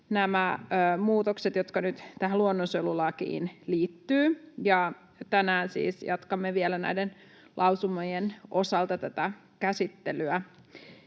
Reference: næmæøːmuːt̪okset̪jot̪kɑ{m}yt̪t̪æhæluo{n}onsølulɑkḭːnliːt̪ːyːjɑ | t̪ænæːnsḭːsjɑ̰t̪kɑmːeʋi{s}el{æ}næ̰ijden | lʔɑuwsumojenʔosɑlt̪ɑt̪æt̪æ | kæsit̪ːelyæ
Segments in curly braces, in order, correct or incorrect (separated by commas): incorrect, incorrect, incorrect, correct